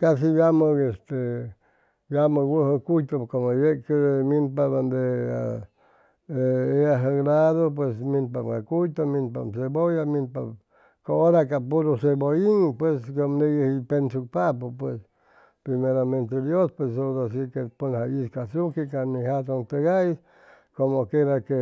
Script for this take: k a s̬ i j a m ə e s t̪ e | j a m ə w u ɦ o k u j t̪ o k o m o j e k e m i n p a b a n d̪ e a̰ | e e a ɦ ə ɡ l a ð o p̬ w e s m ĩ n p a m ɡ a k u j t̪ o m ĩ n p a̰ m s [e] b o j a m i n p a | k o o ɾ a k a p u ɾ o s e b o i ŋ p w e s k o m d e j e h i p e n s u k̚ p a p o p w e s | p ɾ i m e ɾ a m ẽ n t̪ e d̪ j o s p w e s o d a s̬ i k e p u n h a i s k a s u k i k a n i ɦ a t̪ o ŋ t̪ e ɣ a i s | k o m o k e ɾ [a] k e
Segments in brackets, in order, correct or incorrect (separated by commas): correct, correct